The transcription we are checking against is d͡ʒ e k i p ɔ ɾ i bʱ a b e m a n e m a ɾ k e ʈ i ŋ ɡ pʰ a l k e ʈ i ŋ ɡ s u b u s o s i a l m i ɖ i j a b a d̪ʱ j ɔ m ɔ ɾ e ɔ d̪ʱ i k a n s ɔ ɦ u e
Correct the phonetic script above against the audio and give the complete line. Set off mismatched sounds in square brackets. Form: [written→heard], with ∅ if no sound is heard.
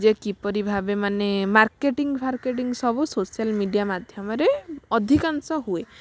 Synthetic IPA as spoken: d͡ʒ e k i p ɔ ɾ i bʱ a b e m a n e m a ɾ k e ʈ i ŋ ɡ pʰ a [l→ɾ] k e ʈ i ŋ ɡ s [u→ɔ] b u s o s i a l m i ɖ i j a [b→m] a d̪ʱ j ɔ m ɔ ɾ e ɔ d̪ʱ i k a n s ɔ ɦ u e